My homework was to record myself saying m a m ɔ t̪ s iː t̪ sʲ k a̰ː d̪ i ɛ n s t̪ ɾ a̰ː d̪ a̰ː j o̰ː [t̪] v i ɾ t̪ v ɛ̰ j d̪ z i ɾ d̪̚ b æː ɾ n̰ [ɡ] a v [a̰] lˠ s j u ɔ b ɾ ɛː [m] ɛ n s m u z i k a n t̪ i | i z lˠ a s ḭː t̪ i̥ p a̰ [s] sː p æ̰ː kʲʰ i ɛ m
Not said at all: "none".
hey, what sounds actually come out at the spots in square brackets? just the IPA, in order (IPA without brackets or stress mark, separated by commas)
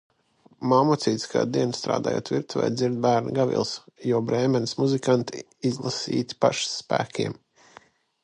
t̪, ɡ, ḭ, m, ʃ